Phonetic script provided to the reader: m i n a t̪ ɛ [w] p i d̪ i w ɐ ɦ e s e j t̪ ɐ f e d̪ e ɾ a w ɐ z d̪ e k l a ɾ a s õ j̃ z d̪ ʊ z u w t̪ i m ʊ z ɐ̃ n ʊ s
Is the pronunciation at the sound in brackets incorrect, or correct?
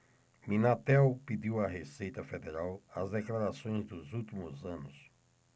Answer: correct